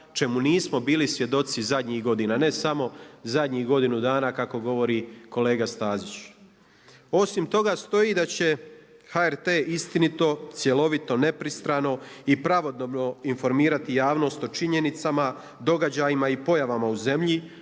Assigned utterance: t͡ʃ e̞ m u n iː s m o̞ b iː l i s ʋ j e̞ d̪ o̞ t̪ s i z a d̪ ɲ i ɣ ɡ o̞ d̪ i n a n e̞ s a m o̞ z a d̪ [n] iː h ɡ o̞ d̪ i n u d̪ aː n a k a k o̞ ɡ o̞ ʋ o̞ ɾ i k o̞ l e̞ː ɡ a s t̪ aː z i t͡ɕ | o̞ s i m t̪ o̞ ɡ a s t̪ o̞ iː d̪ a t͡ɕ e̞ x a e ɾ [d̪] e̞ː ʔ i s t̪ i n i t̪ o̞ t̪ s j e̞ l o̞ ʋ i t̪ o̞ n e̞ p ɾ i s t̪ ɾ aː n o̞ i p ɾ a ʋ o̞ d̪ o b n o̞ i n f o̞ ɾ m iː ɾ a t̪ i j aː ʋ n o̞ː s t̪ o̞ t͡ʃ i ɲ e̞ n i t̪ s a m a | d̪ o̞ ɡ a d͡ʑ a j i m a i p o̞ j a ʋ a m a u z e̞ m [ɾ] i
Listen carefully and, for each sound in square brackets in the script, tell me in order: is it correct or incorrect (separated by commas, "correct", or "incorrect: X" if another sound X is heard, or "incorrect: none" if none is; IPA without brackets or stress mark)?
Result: incorrect: ɲ, incorrect: t̪, incorrect: ʎ